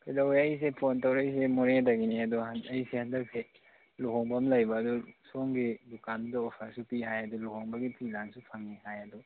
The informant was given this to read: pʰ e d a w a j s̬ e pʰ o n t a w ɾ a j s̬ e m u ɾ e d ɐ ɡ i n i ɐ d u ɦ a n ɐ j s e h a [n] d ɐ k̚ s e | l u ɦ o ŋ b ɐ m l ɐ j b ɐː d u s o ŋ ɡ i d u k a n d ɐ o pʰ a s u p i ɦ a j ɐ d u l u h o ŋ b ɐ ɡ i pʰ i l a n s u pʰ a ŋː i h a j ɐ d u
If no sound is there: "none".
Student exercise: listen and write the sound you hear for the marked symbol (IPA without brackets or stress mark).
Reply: n